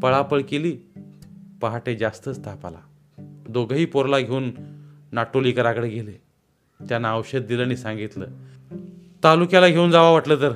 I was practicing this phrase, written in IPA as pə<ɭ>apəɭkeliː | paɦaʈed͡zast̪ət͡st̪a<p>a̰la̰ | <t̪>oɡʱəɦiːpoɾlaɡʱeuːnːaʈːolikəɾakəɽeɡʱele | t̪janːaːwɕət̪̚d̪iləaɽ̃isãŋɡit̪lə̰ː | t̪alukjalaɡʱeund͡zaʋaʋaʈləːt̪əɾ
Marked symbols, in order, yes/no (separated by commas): yes, yes, no